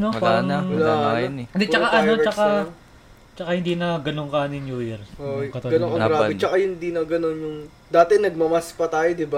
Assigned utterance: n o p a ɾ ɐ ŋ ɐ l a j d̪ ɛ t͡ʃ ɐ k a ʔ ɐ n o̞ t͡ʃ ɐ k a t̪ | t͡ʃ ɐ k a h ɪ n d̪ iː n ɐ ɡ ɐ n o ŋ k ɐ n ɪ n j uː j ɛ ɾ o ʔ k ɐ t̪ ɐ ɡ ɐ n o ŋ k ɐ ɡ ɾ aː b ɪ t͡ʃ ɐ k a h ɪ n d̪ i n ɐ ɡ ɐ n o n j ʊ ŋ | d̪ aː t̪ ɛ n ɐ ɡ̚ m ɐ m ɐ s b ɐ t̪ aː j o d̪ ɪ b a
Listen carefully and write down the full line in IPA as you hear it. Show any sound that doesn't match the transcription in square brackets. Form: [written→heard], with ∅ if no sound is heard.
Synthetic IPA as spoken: n o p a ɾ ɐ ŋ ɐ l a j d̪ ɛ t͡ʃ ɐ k a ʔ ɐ n o̞ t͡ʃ ɐ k a [t̪→∅] | t͡ʃ ɐ k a h ɪ n d̪ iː n ɐ ɡ ɐ n o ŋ k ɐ n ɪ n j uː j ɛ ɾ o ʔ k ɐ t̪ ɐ ɡ ɐ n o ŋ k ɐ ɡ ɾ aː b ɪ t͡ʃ ɐ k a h ɪ n d̪ i n ɐ ɡ ɐ n o n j ʊ ŋ | d̪ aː t̪ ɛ n ɐ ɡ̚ m ɐ m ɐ s [b→p] ɐ t̪ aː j o d̪ ɪ b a